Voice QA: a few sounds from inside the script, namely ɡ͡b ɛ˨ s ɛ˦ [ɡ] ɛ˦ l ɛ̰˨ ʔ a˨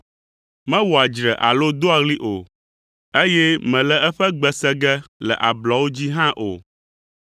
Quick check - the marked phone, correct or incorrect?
correct